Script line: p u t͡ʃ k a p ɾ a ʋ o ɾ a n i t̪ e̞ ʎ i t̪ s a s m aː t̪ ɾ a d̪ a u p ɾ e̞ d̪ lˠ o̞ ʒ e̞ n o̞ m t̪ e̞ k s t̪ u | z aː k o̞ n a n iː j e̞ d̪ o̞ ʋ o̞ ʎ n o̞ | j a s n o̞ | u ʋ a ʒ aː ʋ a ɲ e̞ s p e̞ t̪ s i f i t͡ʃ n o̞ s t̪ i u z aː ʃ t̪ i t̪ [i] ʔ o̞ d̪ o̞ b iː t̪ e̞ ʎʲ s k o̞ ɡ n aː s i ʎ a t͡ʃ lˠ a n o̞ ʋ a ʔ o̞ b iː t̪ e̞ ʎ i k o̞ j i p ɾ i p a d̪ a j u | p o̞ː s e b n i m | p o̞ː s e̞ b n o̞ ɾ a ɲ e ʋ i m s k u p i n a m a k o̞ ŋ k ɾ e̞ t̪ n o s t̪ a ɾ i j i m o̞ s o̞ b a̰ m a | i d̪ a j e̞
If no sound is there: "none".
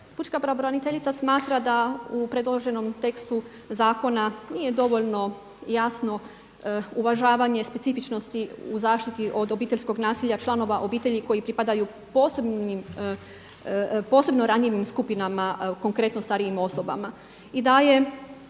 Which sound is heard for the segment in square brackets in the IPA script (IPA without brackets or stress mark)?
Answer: i